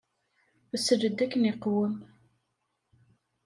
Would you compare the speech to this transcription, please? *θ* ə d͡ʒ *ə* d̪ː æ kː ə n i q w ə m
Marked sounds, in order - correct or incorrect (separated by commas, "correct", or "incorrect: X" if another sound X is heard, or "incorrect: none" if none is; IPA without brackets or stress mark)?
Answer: incorrect: s, correct